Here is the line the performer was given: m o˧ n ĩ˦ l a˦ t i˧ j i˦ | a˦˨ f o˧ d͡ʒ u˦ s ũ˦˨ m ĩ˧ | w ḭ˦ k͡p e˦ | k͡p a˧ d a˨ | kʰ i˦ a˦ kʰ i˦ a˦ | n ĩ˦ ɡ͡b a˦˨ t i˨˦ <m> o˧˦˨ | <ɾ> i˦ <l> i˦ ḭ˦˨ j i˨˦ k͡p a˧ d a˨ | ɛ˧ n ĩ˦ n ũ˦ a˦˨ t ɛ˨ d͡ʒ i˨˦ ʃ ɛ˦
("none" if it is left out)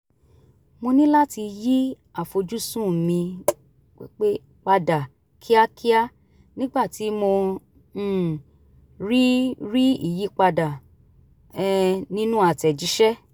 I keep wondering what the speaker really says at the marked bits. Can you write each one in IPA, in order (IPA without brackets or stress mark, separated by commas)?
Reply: m, ɾ, ɾ